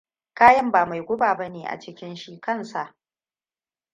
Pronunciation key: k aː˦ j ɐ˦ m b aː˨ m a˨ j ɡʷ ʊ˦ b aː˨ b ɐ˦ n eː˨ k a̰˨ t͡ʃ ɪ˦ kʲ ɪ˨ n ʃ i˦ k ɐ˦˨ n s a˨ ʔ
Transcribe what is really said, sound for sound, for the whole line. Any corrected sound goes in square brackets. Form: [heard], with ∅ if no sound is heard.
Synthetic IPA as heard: k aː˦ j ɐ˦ m b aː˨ m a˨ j ɡʷ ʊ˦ b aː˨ b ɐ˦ n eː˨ [ʔ] a̰˨ t͡ʃ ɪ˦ kʲ [ɪ˦] n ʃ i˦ k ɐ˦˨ n s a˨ ʔ